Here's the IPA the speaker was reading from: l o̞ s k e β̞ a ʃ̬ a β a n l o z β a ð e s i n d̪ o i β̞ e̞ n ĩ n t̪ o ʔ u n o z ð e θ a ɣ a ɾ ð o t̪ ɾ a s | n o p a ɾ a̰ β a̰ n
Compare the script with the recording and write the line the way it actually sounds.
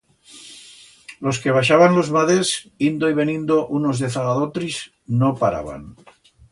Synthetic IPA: l o̞ s k e β̞ a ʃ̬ a β a n l o z β a ð e s i n d̪ o i β̞ e̞ n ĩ n d̪ o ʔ u n o z ð e θ a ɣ a ð o t̪ ɾ i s | n o p a ɾ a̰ β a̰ n